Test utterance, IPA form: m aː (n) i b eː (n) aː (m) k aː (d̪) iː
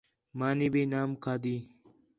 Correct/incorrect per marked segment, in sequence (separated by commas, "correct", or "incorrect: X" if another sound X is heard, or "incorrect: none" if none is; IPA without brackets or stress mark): correct, correct, correct, correct